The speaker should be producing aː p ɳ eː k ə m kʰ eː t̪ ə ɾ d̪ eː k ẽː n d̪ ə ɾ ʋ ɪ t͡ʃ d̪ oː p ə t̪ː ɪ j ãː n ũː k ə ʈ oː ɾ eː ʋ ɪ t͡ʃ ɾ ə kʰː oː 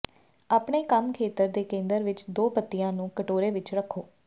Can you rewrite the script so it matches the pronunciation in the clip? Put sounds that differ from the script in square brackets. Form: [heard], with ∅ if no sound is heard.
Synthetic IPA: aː p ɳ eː k ə m kʰ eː t̪ ə ɾ d̪ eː k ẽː n d̪ ə ɾ ʋ ɪ t͡ʃ d̪ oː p ə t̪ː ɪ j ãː n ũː k ə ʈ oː ɾ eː ʋ ɪ t͡ʃ ɾ ə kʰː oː